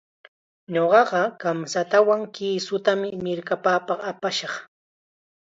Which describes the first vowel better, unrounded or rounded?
rounded